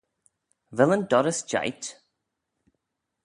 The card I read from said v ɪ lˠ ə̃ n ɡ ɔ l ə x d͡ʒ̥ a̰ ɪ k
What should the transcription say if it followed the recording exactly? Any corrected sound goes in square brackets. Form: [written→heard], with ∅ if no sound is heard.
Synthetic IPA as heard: v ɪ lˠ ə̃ n [ɡ→d] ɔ [l→ɾ] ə [x→s] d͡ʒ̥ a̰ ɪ [k→t]

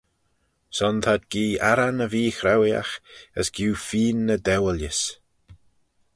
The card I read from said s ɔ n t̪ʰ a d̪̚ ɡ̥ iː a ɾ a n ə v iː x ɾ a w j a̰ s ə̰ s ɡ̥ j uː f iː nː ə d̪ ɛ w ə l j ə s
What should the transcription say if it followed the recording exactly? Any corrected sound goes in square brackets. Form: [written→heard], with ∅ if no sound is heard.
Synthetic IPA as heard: s ɔ n t̪ʰ a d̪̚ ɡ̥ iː a ɾ a n ə v iː x ɾ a w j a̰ [s→x] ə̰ s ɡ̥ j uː f iː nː ə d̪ ɛ w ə l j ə s

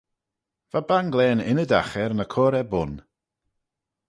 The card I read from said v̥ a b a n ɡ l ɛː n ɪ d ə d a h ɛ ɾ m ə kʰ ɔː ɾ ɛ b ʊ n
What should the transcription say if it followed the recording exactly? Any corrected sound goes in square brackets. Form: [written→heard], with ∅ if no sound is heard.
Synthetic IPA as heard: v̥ a b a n ɡ l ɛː n ɪ [d→n] ə d a [h→x] ɛ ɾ [m→n] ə kʰ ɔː ɾ ɛ b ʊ n

